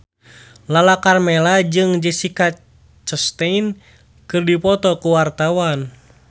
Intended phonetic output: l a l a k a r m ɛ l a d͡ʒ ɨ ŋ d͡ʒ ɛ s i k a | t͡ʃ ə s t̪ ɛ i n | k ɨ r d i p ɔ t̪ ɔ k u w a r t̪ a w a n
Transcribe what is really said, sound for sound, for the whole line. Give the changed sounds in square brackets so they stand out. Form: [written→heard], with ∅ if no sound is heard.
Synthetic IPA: l a l a k a r m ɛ l a d͡ʒ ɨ ŋ d͡ʒ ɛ s i k a | t͡ʃ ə s t̪ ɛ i n | k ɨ r d i p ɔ t̪ ɔ k u w a r t̪ a w a n